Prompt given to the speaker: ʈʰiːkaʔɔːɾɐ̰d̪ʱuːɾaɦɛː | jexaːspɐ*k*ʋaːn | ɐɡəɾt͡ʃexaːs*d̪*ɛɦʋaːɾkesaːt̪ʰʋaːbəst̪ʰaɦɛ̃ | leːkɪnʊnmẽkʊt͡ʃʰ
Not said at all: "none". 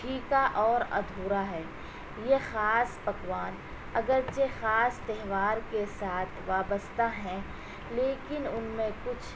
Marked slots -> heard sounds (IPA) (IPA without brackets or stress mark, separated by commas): k, t̪